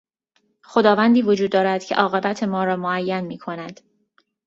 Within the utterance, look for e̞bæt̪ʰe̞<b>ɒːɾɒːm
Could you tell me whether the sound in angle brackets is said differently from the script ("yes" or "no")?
yes